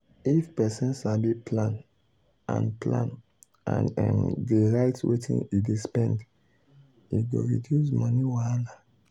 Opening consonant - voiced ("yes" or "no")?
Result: no